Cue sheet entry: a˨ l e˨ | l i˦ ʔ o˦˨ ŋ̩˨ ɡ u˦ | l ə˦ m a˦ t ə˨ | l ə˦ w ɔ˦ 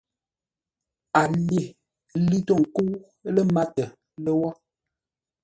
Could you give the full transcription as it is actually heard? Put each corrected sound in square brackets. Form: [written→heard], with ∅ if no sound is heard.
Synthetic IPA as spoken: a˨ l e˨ | l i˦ [ʔ→t] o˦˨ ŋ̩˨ [ɡ→k] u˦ | l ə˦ m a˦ t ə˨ | l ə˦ w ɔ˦